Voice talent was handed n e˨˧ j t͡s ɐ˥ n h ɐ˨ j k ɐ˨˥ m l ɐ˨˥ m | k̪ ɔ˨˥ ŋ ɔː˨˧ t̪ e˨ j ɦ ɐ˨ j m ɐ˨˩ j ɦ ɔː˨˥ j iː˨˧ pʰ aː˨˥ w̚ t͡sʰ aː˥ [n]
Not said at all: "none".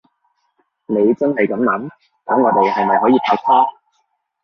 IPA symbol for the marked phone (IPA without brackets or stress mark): none